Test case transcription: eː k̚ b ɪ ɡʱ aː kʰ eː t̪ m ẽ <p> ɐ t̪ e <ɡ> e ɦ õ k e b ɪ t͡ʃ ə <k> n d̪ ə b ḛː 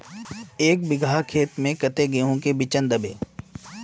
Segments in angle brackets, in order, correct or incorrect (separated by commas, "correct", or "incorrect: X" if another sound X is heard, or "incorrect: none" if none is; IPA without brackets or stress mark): incorrect: k, correct, incorrect: none